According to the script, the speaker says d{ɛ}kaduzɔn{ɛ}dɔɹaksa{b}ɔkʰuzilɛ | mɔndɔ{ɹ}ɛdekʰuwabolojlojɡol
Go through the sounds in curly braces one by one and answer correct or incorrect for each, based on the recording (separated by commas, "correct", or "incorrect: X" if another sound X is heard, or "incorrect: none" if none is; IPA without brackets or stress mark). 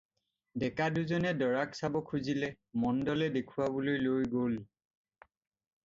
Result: correct, correct, correct, incorrect: l